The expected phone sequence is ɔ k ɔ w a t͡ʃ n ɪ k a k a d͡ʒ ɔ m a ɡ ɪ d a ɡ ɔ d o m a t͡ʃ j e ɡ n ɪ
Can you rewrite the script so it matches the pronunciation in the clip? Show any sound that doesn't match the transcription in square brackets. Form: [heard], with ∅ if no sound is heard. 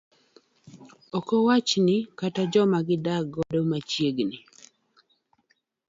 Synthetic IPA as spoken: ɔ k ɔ w a t͡ʃ n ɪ k a [t] a d͡ʒ ɔ m a ɡ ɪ d a ɡ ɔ d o m a t͡ʃ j e ɡ n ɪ